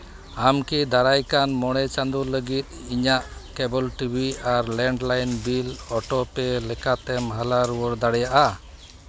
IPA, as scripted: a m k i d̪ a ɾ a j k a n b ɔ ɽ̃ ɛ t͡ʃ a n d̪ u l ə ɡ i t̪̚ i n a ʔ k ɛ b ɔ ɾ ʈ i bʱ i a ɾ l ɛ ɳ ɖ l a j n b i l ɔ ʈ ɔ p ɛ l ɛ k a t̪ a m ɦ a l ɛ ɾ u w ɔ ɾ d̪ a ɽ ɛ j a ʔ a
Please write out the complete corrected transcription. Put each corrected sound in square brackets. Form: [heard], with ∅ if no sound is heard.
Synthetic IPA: a m k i d̪ a ɾ a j k a n [m] ɔ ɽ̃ ɛ t͡ʃ a n d̪ u l ə ɡ i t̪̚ i [ɲ] a ʔ k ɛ b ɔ [l] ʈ i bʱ i a ɾ l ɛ ɳ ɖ l a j n b i l ɔ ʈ ɔ p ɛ l ɛ k a t̪ [ɛ] m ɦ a l [a] ɾ u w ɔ ɾ d̪ a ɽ ɛ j a ʔ a